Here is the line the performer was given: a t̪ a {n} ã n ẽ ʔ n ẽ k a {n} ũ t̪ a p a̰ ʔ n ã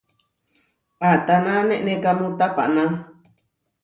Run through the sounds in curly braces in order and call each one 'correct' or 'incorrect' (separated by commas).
correct, incorrect